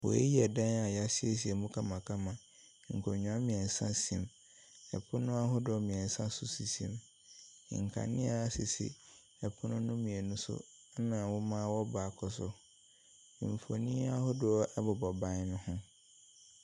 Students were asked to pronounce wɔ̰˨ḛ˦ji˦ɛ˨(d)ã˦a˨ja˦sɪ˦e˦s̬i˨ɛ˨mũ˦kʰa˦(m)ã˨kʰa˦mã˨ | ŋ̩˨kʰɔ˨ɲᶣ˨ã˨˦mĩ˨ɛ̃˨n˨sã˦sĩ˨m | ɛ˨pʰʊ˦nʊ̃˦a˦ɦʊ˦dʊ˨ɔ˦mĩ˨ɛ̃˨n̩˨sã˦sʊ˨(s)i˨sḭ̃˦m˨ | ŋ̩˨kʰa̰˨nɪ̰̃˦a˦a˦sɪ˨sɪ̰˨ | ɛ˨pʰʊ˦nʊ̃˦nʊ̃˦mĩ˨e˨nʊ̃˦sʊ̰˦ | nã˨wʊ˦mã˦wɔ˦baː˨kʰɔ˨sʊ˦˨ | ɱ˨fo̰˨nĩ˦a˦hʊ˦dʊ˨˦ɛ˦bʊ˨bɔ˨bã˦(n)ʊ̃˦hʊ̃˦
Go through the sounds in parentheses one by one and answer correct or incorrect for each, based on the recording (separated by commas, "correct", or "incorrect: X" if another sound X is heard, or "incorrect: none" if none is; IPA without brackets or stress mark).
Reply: correct, correct, correct, correct